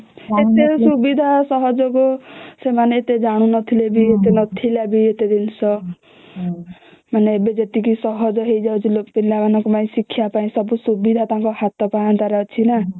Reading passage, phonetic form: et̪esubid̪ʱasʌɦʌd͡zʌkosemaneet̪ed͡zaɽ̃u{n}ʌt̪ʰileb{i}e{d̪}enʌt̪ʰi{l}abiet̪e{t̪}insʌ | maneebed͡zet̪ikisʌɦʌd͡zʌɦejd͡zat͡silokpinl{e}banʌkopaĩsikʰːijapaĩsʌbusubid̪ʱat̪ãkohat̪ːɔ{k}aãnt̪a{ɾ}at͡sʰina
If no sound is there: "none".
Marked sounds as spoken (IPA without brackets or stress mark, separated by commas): n, i, t̪, l, d̪, a, p, ɾ